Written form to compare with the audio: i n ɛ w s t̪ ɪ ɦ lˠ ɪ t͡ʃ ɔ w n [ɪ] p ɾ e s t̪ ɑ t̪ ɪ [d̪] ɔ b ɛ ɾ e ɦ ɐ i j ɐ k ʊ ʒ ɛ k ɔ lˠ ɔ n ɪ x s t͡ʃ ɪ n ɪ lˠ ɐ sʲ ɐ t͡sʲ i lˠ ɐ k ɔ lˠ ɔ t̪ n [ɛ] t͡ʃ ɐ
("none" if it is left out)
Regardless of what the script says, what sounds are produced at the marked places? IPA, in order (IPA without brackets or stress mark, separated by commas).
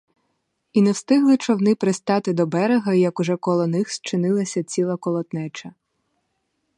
ɪ, d̪, ɛ